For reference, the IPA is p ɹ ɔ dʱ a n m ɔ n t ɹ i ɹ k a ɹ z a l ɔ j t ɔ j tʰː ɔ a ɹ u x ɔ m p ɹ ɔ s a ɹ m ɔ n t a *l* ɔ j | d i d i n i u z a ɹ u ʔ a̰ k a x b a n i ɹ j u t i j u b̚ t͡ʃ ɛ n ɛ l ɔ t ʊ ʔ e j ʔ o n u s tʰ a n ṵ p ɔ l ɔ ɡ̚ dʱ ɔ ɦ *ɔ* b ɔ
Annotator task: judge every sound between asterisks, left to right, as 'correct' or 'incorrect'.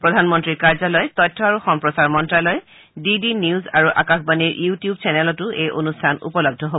correct, incorrect: o

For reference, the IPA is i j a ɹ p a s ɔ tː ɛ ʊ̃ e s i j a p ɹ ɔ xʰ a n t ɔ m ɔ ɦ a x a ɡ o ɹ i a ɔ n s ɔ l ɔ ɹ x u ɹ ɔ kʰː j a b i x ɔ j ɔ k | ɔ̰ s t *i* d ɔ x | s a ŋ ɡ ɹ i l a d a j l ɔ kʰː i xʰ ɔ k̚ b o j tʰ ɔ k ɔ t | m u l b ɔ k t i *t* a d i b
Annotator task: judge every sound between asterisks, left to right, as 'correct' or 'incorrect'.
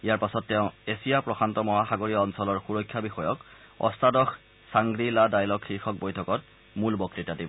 incorrect: a, correct

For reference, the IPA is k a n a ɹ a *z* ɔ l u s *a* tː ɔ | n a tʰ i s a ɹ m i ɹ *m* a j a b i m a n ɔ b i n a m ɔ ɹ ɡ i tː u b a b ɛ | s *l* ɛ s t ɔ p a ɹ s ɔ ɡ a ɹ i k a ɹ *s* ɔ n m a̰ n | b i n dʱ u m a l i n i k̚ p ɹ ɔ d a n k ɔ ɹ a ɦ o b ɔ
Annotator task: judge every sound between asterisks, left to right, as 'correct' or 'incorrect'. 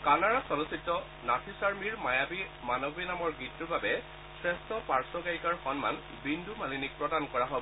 incorrect: s, incorrect: i, correct, incorrect: ɹ, incorrect: x

